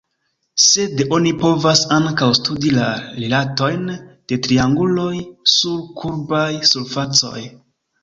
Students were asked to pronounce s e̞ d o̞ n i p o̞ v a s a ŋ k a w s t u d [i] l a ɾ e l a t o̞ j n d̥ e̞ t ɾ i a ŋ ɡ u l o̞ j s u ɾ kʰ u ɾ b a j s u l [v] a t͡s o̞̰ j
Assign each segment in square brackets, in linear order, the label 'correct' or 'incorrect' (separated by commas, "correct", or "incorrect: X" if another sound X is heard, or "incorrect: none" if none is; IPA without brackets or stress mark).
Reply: correct, incorrect: f